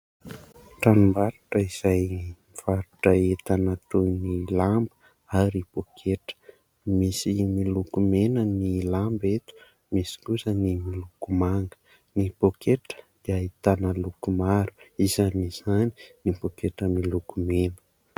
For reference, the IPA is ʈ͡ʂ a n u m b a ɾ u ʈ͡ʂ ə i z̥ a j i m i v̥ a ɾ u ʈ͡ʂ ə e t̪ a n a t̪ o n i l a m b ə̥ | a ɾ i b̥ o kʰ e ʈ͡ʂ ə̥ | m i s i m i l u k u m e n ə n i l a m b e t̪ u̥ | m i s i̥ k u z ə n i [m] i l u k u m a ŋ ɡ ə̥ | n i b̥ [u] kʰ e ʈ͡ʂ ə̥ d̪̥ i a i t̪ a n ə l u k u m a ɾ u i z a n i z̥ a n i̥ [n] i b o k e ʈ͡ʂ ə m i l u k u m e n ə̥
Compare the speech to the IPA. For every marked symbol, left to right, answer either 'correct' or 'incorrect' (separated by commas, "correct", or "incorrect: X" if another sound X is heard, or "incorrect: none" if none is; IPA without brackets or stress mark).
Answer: correct, incorrect: o, correct